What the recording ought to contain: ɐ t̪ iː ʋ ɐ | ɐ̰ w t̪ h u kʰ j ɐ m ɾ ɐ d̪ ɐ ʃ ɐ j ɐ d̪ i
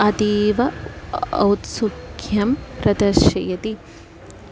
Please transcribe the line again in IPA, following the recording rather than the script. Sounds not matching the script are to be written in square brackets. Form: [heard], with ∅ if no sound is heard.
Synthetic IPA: ɐ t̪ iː ʋ ɐ | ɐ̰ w t̪ [s] u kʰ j ɐ m ɾ ɐ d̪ ɐ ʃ ɐ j ɐ [t̪] i